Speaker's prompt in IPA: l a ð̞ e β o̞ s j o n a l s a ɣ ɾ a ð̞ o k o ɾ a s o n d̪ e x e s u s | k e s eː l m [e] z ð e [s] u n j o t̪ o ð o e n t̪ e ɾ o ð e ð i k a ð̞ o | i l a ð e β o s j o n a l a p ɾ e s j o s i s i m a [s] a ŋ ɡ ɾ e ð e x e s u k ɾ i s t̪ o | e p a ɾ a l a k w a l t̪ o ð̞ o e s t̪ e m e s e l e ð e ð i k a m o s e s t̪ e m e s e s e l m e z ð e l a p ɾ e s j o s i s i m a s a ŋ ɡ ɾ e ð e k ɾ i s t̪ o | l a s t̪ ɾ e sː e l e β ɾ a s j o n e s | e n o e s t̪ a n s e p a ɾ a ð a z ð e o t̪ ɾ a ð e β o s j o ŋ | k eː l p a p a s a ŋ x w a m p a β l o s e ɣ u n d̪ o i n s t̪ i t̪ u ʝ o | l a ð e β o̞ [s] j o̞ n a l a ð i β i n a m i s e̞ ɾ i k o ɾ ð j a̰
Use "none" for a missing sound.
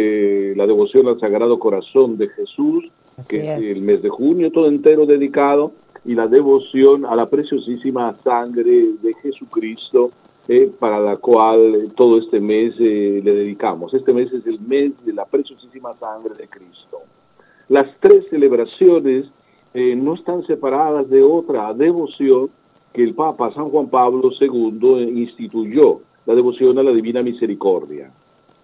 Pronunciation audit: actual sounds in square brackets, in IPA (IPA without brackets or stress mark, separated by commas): e, x, s, s